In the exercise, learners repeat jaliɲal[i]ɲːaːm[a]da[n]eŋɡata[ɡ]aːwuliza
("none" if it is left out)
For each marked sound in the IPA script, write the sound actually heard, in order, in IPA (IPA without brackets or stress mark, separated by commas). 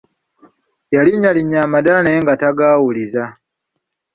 i, a, n, ɡ